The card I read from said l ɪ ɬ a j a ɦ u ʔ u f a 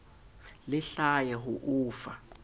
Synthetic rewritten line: l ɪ ɬ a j ɛ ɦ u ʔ uː f a

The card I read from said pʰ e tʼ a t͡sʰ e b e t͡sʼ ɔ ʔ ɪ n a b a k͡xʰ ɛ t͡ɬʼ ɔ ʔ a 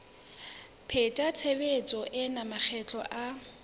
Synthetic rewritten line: pʰ e tʼ a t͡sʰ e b e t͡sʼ ɔ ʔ ɪ n a m a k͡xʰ ɛ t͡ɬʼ ɔ ʔ a

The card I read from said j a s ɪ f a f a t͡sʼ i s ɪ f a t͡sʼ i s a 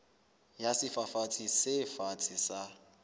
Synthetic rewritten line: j a s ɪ f a f a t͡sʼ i s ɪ f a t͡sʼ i s a

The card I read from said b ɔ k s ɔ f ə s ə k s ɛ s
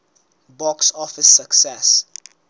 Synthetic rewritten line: b ɔ k s ɔ f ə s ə k s ɛ s

